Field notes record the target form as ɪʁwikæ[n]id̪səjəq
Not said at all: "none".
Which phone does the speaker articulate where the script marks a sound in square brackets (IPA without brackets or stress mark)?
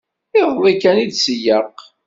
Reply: n